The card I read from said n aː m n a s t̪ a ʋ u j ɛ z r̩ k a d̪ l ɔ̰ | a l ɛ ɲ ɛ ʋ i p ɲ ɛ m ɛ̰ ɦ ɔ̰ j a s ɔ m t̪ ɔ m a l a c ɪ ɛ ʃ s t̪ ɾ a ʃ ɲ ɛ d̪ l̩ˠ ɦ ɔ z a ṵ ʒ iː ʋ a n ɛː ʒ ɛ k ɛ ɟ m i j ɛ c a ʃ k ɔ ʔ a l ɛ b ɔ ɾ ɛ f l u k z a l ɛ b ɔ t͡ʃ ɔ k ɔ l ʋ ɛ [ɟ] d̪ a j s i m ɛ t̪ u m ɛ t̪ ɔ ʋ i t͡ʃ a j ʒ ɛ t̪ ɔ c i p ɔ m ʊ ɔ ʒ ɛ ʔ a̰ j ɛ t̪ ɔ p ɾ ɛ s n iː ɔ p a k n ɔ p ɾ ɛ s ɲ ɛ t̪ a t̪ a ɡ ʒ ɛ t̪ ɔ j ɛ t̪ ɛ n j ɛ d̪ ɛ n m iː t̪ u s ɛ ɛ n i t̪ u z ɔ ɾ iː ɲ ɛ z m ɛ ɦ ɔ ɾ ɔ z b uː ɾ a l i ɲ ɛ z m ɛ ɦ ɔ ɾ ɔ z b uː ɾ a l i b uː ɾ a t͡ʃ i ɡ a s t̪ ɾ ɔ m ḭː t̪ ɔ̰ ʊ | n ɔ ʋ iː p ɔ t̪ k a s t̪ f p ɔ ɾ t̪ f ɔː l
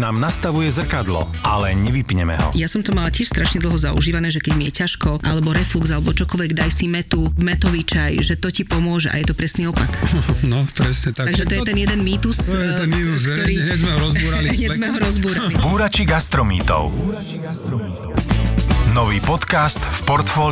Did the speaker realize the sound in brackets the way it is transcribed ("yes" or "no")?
no